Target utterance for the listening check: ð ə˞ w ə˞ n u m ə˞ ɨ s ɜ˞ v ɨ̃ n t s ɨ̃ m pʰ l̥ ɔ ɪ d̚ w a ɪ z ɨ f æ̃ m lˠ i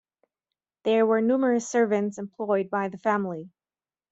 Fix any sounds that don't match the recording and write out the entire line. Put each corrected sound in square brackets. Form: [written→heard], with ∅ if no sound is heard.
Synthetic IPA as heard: ð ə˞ w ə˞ n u m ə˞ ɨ s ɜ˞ v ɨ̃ n t s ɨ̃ m pʰ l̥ ɔ ɪ d̚ [w→b] a ɪ [z→ð] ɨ f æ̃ m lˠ i